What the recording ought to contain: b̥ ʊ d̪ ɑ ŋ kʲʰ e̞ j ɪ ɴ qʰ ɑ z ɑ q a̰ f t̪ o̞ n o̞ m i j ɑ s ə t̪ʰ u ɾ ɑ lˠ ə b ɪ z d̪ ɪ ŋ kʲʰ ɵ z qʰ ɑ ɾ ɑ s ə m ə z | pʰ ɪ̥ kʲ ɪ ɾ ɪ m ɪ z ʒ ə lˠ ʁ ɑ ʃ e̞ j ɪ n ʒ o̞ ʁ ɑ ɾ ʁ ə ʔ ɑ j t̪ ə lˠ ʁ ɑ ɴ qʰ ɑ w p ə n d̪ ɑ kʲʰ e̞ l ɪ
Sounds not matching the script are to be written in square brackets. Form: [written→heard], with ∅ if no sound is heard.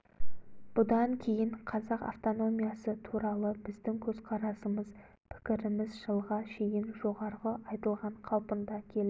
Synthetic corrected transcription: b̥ ʊ d̪ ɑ ŋ kʲʰ e̞ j ɪ ɴ qʰ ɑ z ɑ q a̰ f t̪ o̞ n o̞ m i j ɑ s ə t̪ʰ u ɾ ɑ lˠ ə b ɪ z d̪ ɪ ŋ kʲʰ ɵ z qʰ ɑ ɾ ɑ s ə m ə z | pʰ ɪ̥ kʲ ɪ ɾ ɪ m ɪ z ʒ ə lˠ ʁ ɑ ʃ e̞ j ɪ n ʒ o̞ ʁ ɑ ɾ ʁ ə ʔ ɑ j t̪ ə lˠ ʁ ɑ ɴ qʰ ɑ w p ə n d̪ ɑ kʲʰ e̞ l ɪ